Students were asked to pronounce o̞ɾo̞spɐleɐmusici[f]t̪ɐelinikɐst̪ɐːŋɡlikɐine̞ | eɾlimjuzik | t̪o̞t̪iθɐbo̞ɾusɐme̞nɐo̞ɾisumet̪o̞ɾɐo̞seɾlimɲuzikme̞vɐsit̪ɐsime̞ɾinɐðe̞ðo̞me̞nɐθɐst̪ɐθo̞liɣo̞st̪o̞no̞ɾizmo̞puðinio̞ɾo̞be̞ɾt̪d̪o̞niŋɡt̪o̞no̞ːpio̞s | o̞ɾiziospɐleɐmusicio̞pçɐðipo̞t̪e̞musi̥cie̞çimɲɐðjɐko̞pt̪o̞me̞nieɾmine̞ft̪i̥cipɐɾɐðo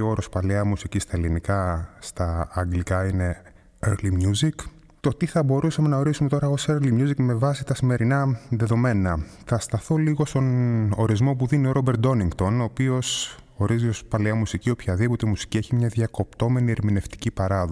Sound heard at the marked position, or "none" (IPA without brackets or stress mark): s